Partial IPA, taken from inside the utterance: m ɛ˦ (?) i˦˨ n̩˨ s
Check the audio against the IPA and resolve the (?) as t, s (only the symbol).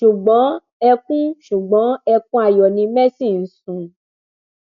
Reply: s